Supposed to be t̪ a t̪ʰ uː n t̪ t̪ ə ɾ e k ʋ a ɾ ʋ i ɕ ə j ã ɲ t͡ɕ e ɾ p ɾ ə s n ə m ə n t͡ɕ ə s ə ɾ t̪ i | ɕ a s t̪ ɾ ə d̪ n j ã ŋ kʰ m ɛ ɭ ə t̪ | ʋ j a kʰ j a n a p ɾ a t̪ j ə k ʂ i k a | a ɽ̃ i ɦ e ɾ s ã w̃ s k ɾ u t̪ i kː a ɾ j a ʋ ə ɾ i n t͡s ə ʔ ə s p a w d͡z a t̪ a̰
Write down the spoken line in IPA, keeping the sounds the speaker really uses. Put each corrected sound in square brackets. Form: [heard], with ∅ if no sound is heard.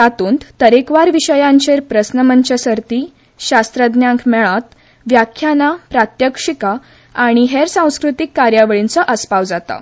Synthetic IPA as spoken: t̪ a [t̪] uː n t̪ t̪ ə ɾ e k ʋ a ɾ ʋ i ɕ ə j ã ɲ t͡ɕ e ɾ p ɾ ə s n ə m ə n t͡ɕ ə s ə ɾ t̪ i | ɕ a s t̪ ɾ ə d̪ n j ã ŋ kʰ m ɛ ɭ [a] t̪ | ʋ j a kʰ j a n a p ɾ a t̪ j ə k ʂ i k a | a ɽ̃ i ɦ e ɾ s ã w̃ s k ɾ u t̪ i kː a ɾ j a ʋ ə [ɭ] i n t͡s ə ʔ ə s p a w d͡z a t̪ a̰

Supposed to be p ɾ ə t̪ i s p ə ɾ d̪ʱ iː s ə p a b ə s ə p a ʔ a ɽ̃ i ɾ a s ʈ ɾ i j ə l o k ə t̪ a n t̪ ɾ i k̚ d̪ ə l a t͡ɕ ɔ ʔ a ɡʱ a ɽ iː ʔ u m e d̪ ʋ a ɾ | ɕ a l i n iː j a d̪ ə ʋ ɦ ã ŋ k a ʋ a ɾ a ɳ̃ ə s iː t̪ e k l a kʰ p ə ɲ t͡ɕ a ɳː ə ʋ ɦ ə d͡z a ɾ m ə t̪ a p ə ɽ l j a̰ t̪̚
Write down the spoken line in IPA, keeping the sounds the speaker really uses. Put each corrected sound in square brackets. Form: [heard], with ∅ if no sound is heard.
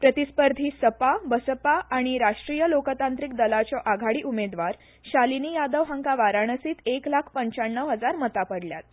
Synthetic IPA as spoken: p ɾ ə t̪ i s p ə ɾ d̪ʱ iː s ə p a b ə s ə p a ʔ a ɽ̃ i ɾ a [ʂ] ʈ ɾ i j ə l o k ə t̪ a n t̪ ɾ i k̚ d̪ ə l a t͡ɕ ɔ ʔ a ɡʱ a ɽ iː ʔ u m e d̪ ʋ a ɾ | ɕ a l i n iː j a d̪ ə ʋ ɦ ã ŋ k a ʋ a ɾ a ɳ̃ ə s iː t̪ e k l a kʰ p ə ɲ t͡ɕ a ɳː ə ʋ ɦ ə d͡z a ɾ m ə t̪ a p ə ɽ l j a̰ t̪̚

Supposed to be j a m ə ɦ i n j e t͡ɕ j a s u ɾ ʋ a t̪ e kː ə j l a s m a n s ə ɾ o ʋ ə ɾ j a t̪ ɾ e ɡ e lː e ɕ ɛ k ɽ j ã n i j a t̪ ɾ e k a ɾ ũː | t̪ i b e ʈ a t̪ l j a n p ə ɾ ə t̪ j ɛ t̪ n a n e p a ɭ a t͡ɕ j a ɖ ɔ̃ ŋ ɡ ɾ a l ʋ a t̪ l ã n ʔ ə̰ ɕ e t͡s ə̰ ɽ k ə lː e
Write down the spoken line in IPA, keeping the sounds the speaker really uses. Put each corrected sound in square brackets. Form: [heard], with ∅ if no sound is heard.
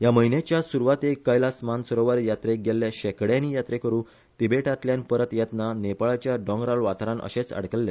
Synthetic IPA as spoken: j a m ə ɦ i n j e t͡ɕ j a s u ɾ ʋ a t̪ e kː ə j l a s m a n s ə ɾ o ʋ ə ɾ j a t̪ ɾ e ɡ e lː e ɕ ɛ k ɽ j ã n i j a t̪ ɾ e k [ə] ɾ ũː | t̪ i b e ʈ a t̪ l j a n p ə ɾ ə t̪ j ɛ t̪ n a n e p a ɭ a t͡ɕ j a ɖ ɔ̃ ŋ ɡ ɾ a l ʋ a t̪ [ɾ] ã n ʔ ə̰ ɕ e t͡s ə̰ ɽ k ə lː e

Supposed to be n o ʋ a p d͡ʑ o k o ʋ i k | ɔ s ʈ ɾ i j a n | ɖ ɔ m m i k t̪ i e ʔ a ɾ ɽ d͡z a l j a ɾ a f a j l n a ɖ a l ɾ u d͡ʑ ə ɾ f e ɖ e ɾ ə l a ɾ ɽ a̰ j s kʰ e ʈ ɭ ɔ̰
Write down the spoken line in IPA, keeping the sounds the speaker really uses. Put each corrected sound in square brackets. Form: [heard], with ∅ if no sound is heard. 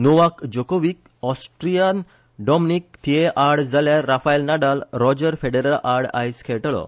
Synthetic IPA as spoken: n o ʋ a [k] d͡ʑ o k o ʋ i k | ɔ s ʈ ɾ i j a n | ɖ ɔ m [n] i k t̪ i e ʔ a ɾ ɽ d͡z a l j a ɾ a f a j l n a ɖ a l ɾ [ɔ] d͡ʑ ə ɾ f e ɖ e ɾ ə l a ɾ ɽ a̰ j s kʰ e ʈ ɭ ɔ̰

